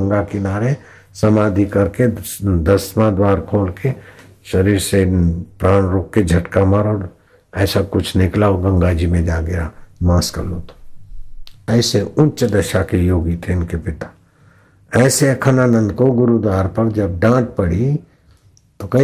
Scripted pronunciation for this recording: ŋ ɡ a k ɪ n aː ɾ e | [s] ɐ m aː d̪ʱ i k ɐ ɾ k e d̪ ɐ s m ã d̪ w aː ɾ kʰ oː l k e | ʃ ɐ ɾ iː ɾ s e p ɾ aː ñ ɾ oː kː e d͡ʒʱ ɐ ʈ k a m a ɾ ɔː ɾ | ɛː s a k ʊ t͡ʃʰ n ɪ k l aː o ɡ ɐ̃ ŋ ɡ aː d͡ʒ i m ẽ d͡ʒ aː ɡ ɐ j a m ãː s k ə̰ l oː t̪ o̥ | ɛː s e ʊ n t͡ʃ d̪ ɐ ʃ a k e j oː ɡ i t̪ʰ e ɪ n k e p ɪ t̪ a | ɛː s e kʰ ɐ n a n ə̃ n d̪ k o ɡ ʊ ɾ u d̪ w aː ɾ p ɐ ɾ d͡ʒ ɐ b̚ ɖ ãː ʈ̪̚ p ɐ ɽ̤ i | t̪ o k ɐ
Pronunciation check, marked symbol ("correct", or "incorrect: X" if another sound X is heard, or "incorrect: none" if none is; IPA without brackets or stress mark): correct